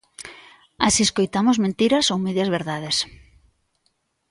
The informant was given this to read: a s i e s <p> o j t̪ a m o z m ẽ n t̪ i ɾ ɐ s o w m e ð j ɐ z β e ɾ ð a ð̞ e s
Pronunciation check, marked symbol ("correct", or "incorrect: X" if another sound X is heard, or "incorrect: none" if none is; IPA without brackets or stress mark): incorrect: k